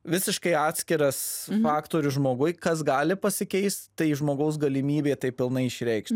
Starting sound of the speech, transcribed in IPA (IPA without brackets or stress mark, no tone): ʋʲ